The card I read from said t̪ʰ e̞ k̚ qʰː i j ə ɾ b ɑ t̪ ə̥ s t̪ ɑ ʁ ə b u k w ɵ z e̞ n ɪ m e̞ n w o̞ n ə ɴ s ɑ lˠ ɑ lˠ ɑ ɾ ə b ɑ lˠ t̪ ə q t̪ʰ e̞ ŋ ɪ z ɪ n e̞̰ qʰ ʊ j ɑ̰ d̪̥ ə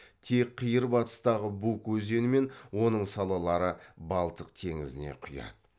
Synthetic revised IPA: t̪ʰ e̞ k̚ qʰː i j ə ɾ b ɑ t̪ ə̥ s t̪ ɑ ʁ ə b u k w ɵ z e̞ n ɪ m e̞ n w o̞ n ə ɴ s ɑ lˠ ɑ lˠ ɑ ɾ ə b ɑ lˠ t̪ ə q t̪ʰ e̞ ŋ ɪ z ɪ n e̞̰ qʰ ʊ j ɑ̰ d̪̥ ə